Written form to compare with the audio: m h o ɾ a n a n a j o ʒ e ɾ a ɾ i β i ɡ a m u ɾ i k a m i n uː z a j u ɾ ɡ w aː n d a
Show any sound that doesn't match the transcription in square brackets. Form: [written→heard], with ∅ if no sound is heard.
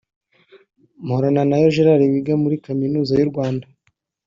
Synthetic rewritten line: m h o ɾ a n a n a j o ʒ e ɾ a ɾ i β i ɡ a m u ɾ i k a m i n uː z a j u ɾ ɡ w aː n d a